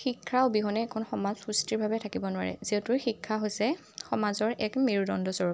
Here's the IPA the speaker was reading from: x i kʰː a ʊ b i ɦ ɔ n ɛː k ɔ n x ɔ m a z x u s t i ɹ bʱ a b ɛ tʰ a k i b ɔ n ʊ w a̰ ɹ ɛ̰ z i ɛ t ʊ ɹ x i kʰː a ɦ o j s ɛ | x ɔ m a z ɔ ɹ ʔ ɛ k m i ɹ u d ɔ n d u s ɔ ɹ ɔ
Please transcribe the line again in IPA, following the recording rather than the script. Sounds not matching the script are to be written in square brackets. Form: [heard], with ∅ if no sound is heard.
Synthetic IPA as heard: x i kʰː a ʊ b i ɦ ɔ n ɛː [kʰ] ɔ n x ɔ m a z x u s t i ɹ bʱ a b ɛ tʰ a k i b ɔ n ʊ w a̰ ɹ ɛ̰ z i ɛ t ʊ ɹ x i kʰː a ɦ o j s ɛ | x ɔ m a z ɔ ɹ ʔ ɛ k m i ɹ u d ɔ n d [ɔ] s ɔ ɹ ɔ